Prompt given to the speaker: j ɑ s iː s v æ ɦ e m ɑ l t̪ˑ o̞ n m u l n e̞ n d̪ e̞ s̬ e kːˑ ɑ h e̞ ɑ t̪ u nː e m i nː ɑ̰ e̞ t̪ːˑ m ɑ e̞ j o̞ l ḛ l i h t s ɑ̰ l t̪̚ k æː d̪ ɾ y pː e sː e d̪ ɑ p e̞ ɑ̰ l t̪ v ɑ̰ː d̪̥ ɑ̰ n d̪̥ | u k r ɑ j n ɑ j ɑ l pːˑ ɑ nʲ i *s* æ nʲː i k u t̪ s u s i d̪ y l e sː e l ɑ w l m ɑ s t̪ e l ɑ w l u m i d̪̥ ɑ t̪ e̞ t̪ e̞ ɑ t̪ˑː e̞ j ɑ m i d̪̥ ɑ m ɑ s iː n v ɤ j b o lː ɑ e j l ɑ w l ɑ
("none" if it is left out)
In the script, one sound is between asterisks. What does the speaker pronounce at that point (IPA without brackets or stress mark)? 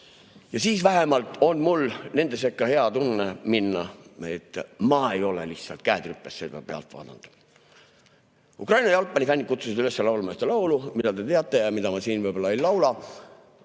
f